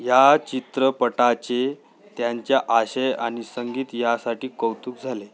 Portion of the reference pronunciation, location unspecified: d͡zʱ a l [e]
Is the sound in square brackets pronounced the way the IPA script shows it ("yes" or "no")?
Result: yes